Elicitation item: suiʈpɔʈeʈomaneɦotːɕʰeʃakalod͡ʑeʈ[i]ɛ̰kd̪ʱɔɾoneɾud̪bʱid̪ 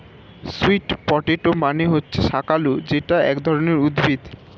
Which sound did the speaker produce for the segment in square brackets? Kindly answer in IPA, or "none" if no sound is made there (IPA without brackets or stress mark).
a